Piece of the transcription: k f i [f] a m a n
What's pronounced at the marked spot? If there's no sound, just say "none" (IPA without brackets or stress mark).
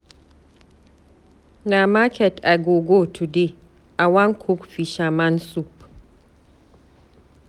ʃ